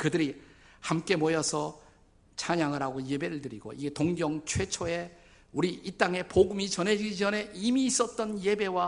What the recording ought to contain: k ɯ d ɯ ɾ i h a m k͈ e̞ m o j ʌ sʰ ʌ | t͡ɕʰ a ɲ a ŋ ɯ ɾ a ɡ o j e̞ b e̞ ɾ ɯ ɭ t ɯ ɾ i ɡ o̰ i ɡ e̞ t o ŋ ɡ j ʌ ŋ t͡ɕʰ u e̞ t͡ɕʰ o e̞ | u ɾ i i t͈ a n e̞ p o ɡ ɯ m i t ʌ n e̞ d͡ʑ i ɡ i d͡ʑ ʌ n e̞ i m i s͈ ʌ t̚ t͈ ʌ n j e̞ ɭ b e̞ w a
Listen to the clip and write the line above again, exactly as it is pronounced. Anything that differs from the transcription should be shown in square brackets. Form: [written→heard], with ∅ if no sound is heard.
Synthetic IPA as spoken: k ɯ d ɯ ɾ i h a m k͈ e̞ m o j ʌ sʰ ʌ | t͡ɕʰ a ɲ a ŋ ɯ ɾ a ɡ o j e̞ b e̞ ɾ ɯ ɭ t ɯ ɾ i ɡ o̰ i ɡ e̞ t o ŋ ɡ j ʌ ŋ t͡ɕʰ [u→w] e̞ t͡ɕʰ o e̞ | u ɾ i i t͈ a [n→ŋ] e̞ p o ɡ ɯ m i [t→t͡ɕ] ʌ n e̞ d͡ʑ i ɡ i d͡ʑ ʌ n e̞ i m [i→iː] s͈ ʌ t̚ t͈ ʌ n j e̞ [ɭ→∅] b e̞ w a